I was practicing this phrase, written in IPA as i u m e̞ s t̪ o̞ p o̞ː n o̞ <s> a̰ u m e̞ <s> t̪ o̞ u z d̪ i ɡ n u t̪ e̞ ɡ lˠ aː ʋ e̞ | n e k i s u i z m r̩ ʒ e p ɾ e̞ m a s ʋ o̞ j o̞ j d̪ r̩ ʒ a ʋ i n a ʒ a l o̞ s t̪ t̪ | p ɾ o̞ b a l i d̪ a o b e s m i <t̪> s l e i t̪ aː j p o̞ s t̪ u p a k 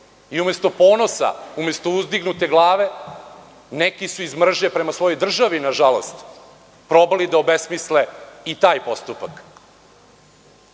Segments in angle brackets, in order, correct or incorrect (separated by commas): correct, correct, incorrect